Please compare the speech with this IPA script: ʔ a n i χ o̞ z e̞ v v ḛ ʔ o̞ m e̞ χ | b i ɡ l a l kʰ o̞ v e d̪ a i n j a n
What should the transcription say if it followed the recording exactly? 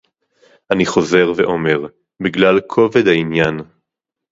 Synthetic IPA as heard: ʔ a n i χ o̞ z e̞ ʁ v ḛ ʔ o̞ m e̞ ʁ | b i ɡ l a l kʰ o̞ v e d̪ a i n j a n